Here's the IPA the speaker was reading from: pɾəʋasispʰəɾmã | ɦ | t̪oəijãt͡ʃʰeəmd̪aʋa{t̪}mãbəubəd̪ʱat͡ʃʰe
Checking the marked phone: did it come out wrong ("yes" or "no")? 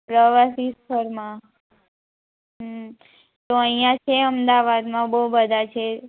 yes